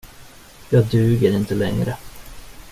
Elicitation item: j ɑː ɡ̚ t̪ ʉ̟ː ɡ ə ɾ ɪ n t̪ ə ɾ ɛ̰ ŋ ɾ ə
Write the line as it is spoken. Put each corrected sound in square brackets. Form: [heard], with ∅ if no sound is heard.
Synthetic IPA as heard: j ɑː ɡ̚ [d̪] ʉ̟ː ɡ ə ɾ ɪ n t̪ ə [l] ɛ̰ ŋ ɾ ə